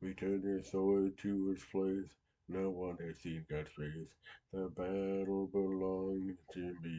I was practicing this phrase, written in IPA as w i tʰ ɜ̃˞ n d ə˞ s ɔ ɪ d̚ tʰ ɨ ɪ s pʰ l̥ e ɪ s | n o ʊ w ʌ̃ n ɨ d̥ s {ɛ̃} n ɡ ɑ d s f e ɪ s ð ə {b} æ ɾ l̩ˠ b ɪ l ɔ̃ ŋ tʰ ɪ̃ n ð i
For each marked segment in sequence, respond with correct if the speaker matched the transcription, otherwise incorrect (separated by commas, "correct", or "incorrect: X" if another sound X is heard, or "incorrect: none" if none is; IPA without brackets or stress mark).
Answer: incorrect: ĩ, correct